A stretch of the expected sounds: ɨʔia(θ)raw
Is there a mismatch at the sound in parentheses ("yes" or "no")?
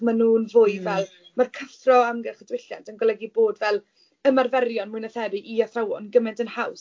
no